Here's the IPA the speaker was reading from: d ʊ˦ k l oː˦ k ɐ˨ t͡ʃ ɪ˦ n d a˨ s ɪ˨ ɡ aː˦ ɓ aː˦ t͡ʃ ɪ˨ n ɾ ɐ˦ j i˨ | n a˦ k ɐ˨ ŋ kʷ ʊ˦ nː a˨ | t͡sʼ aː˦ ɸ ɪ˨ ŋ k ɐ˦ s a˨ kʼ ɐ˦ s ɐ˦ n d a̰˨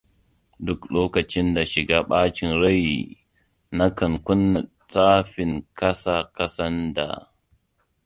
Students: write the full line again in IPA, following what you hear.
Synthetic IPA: d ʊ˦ k l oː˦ k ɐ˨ t͡ʃ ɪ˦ n d a˨ ʃ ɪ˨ ɡ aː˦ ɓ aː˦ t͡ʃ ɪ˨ n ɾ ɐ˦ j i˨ | n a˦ k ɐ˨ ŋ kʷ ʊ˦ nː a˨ | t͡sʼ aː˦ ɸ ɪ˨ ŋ k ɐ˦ s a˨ k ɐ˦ s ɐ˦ n d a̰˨